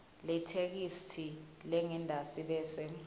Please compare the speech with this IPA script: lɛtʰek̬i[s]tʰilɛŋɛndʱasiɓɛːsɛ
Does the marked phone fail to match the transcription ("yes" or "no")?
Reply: no